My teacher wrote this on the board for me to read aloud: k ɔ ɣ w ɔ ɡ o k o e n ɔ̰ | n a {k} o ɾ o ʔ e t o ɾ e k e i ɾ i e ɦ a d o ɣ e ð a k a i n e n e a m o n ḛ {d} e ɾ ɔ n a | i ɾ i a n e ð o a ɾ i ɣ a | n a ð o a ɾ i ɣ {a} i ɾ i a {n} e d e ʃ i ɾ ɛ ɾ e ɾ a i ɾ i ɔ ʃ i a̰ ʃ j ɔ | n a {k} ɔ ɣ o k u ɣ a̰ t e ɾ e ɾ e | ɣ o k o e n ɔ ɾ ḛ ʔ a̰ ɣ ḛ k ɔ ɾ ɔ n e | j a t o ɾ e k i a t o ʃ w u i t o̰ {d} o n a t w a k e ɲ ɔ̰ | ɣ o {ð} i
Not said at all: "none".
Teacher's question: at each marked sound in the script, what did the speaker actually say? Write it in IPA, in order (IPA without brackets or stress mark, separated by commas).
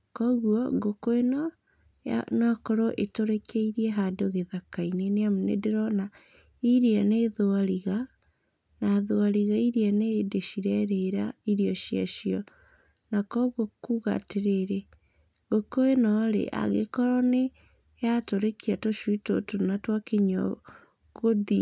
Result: k, d, a, n, k, t, ð